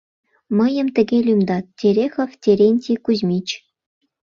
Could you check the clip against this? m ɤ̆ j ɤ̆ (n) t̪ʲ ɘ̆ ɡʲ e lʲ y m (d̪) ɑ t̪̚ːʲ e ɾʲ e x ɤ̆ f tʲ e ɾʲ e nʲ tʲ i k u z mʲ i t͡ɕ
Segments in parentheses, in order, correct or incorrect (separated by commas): incorrect, correct